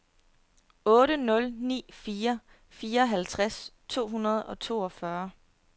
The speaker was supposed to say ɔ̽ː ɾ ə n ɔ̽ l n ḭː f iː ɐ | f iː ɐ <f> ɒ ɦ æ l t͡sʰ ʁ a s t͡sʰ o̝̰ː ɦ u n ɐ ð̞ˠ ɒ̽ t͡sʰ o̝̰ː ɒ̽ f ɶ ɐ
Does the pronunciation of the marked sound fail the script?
yes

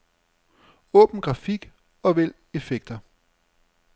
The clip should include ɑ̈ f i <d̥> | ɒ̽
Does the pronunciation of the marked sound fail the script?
yes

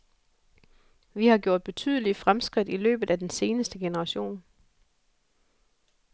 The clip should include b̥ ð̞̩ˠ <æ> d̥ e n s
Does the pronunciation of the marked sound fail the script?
no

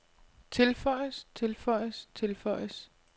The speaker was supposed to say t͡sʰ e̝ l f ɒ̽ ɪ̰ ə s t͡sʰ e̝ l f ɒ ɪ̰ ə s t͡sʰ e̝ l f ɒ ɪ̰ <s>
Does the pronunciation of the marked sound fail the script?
no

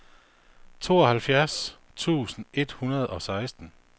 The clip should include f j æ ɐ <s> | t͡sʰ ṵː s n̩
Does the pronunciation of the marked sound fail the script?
no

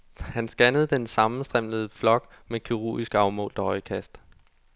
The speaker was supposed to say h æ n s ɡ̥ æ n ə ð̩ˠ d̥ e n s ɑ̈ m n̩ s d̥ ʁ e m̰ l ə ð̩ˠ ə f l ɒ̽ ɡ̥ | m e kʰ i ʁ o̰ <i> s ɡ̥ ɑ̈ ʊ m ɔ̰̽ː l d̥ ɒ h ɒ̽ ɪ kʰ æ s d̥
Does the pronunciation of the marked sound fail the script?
no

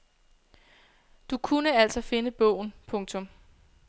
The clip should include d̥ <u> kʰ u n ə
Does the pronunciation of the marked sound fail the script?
no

